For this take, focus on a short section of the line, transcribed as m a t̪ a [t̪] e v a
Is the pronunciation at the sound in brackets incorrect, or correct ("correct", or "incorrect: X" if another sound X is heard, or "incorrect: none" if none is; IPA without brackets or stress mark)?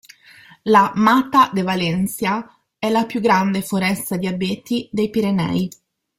incorrect: d̪